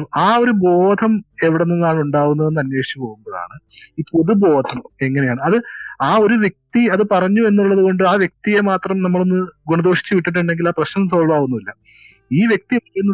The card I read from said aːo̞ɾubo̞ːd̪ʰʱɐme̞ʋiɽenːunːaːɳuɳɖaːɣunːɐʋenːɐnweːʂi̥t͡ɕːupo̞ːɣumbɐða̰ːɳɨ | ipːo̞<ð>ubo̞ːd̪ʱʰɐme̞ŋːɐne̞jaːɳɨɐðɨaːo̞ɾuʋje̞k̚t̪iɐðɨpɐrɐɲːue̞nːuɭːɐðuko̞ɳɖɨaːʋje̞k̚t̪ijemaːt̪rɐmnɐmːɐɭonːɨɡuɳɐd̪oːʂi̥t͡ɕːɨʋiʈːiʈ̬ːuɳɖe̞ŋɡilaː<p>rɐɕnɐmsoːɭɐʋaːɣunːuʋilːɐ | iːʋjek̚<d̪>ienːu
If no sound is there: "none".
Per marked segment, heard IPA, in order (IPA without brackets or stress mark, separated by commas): ð, p, t̪